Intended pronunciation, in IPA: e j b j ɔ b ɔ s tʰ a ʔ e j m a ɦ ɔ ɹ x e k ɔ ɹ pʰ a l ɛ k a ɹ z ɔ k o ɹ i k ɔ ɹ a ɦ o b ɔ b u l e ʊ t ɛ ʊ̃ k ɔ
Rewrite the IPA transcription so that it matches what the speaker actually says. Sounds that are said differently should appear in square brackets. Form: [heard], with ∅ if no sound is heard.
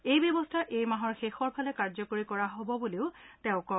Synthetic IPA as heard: e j b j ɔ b ɔ s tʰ a ʔ e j m a ɦ ɔ ɹ x e [x] ɔ ɹ pʰ a l ɛ k a ɹ z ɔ k o ɹ i k ɔ ɹ a ɦ o b ɔ b u l e ʊ t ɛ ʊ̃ k ɔ